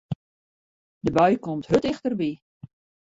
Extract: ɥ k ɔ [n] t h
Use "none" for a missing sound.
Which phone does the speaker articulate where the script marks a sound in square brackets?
m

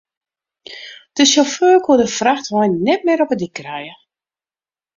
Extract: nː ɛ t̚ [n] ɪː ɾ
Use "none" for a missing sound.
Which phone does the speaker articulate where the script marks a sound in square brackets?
m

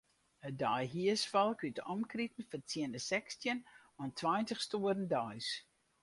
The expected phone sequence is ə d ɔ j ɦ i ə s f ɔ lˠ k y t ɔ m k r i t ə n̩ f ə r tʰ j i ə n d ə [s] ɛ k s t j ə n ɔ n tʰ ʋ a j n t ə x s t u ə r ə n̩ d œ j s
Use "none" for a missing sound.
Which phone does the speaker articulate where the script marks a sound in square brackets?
s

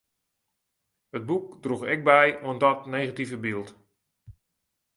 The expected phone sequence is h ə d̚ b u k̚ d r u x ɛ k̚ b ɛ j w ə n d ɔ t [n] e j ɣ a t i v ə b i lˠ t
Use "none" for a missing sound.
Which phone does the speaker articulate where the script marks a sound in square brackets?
n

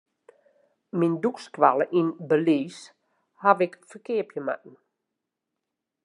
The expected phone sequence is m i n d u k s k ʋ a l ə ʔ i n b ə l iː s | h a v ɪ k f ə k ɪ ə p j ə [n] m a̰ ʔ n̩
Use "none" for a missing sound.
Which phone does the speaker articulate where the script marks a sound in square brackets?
none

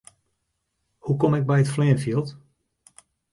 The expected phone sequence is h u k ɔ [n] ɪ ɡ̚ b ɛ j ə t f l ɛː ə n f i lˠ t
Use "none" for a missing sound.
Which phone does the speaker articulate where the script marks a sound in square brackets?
m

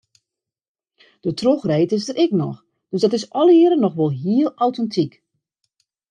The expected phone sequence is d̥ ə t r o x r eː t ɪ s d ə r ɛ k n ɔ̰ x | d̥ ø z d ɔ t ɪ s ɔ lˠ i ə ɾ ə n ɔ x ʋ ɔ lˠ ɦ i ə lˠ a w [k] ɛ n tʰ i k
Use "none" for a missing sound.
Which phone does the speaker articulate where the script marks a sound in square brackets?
t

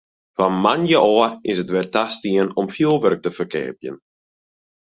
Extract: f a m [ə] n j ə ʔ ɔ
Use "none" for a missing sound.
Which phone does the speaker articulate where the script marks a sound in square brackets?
a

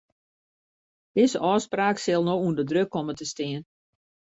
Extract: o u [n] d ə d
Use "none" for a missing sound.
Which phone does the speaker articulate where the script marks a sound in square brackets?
n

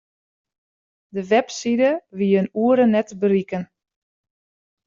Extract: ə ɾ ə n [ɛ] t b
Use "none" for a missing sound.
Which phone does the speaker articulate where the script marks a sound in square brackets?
ɛ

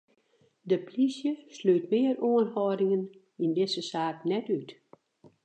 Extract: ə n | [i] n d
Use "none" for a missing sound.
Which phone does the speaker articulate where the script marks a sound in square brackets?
i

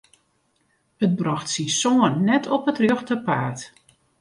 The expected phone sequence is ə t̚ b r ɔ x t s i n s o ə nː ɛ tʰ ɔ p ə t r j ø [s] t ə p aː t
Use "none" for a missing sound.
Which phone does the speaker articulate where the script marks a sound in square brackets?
x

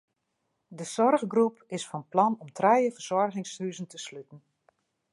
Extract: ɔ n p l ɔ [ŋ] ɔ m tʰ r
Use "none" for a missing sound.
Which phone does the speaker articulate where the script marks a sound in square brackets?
n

